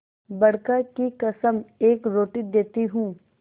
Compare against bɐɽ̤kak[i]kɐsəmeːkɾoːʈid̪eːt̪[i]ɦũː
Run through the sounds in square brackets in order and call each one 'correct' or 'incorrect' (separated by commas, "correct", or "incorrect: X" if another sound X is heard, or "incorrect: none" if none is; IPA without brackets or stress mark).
correct, correct